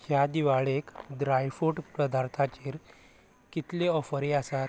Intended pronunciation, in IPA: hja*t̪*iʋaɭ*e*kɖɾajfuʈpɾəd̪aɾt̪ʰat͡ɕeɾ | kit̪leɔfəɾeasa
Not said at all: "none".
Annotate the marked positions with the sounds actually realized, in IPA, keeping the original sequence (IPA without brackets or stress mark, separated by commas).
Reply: d̪, e